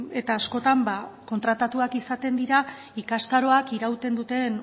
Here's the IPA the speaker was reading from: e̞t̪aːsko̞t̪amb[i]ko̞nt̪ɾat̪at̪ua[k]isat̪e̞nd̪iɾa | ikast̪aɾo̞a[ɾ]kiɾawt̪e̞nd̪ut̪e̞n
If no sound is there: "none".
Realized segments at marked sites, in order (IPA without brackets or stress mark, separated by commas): a, k, none